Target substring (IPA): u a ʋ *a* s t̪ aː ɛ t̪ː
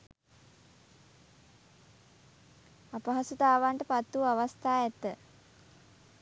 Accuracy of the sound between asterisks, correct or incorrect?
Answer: correct